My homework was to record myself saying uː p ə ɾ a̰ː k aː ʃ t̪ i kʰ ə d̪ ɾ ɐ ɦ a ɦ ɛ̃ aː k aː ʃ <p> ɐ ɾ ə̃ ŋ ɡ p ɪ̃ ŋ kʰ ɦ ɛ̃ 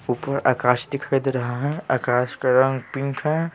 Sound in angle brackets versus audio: incorrect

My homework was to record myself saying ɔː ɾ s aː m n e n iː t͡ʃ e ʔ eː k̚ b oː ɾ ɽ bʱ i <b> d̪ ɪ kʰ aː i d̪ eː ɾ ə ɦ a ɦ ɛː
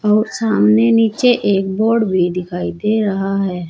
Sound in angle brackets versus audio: incorrect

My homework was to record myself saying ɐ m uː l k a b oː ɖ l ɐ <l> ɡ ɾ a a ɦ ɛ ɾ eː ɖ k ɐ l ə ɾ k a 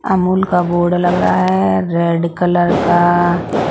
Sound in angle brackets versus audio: incorrect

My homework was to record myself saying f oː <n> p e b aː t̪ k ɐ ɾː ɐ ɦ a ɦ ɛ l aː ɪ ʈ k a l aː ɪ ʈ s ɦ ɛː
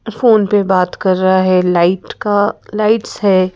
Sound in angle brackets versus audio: correct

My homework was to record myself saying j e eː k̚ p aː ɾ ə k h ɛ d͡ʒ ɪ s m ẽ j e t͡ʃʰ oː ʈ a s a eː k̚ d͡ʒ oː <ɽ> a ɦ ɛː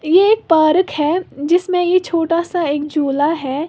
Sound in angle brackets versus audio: incorrect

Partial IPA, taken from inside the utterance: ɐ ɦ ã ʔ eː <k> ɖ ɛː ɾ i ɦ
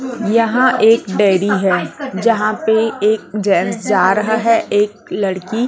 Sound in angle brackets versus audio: correct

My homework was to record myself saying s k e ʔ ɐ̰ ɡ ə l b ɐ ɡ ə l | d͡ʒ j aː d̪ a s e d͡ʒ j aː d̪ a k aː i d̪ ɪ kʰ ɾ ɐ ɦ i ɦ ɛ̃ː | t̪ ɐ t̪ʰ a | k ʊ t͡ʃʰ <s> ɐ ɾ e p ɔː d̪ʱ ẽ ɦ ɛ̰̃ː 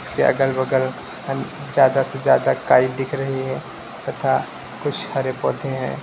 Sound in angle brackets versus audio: incorrect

